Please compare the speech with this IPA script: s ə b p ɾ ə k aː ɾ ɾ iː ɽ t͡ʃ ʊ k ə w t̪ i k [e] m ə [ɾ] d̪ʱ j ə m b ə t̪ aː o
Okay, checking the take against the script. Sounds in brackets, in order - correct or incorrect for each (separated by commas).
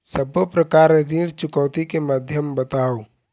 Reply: correct, incorrect